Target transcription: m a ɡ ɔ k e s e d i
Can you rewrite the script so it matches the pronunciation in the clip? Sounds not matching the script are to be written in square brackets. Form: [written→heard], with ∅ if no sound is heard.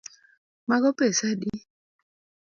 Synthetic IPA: m a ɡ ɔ [k→p] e s [e→a] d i